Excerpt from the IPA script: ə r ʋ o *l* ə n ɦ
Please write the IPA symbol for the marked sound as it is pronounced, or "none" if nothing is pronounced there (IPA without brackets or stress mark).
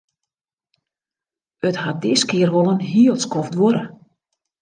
l